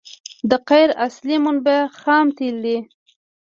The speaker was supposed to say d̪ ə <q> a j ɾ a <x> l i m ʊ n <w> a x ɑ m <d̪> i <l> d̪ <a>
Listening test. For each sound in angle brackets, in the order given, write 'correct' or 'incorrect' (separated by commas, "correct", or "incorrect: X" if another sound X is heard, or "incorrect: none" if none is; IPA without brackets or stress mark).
correct, incorrect: s, incorrect: b, incorrect: t̪, correct, incorrect: i